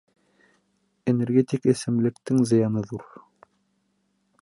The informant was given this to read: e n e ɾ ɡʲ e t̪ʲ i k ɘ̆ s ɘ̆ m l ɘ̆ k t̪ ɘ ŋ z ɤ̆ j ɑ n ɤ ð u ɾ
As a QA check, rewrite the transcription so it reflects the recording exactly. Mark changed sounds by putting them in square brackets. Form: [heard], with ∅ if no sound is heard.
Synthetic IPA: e n e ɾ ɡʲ e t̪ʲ i k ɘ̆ s ɘ̆ m l ɘ̆ k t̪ ɘ ŋ z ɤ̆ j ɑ n ɤ ð u ɾ